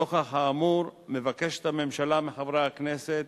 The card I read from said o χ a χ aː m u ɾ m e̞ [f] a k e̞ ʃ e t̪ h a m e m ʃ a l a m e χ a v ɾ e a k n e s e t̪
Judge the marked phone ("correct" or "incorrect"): incorrect